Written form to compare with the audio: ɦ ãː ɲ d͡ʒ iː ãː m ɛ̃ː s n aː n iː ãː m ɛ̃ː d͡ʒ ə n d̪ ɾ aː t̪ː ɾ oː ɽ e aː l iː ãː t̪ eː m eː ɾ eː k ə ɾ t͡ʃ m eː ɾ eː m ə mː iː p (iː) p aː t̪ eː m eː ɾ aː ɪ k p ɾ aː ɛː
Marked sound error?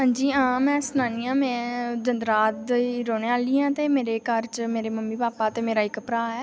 yes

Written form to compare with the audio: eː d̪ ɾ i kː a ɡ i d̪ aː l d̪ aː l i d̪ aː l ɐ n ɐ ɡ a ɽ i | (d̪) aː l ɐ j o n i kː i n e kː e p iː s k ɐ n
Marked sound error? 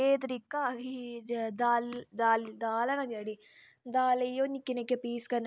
no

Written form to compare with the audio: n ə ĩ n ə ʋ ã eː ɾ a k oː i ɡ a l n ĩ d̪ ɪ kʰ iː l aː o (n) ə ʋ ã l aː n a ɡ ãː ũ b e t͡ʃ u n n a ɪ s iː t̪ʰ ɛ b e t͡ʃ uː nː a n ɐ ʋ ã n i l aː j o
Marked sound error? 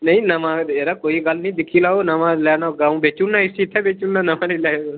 no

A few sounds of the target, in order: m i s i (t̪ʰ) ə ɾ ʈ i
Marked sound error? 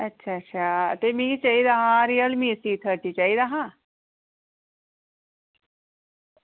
no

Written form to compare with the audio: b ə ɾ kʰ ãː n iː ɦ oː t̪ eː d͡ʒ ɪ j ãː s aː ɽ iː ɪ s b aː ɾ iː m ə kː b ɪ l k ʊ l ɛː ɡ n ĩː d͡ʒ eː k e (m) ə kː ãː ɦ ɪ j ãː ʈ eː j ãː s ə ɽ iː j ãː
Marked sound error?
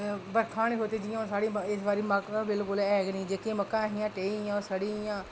no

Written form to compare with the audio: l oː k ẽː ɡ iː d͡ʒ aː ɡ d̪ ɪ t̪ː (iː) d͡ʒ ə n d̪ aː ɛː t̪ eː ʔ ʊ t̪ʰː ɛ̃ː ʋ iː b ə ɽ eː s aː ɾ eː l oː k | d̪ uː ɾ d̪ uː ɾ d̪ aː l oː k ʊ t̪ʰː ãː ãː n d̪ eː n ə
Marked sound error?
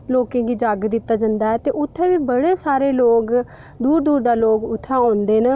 yes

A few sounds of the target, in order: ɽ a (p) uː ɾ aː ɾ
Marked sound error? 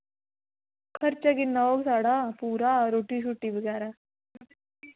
no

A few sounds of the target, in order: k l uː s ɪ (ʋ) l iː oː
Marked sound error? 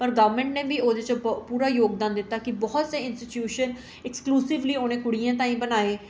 no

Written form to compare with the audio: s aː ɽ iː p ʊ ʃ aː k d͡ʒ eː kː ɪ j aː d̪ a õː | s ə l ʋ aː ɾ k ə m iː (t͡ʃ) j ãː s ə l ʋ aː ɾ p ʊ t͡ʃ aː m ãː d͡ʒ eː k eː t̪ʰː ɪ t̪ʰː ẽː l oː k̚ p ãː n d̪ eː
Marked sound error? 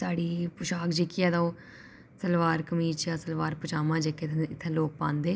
no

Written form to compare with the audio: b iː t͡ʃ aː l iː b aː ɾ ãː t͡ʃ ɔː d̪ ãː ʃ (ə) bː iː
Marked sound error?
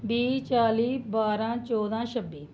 no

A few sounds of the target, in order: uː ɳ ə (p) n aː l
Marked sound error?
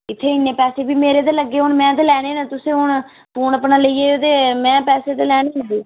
no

